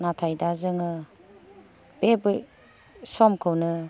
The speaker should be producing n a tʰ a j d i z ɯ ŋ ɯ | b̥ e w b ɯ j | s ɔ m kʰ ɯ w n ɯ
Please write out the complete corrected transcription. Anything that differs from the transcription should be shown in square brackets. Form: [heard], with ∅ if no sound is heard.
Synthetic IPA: n a tʰ a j d [a] z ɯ ŋ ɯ | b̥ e [∅] b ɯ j | s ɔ m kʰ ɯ w n ɯ